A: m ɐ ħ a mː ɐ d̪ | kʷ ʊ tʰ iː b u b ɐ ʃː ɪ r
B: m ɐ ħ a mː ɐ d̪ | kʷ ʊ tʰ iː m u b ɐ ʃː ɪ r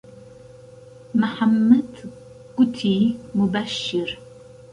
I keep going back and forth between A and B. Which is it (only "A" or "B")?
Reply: B